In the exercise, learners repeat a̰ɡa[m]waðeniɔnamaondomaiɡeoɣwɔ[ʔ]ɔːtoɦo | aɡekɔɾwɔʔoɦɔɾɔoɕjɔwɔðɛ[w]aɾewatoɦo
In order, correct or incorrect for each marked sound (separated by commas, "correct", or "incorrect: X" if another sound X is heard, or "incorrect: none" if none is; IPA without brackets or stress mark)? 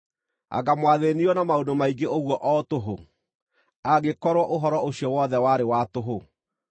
correct, correct, correct